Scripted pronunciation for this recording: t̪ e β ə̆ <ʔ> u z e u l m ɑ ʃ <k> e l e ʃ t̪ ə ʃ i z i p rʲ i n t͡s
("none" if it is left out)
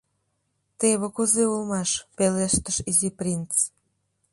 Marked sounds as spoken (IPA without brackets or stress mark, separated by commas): k, p